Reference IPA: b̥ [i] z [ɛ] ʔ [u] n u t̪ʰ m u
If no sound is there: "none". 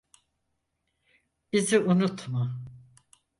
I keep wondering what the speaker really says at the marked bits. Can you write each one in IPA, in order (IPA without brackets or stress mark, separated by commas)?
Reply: i, i, u